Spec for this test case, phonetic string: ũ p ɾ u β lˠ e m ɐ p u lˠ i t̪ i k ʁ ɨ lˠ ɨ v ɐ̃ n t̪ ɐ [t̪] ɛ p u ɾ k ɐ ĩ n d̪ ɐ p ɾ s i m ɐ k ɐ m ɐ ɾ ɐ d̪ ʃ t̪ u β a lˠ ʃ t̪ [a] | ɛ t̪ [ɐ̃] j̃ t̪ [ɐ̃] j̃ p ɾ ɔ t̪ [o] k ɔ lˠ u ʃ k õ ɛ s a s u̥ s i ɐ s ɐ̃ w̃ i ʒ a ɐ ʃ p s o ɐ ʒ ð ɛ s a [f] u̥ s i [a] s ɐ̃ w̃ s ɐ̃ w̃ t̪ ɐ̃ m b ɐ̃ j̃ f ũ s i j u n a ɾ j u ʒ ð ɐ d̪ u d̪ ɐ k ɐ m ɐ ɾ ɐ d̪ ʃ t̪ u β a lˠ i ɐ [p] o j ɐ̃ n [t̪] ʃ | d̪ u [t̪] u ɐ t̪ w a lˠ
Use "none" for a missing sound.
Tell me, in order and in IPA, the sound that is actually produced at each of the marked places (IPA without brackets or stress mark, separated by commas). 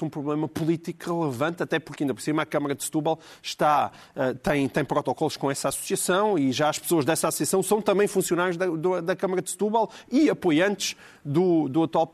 t̪, a, ɐ̃, ɐ̃, ɔ, s, ɐ, p, t̪, d̪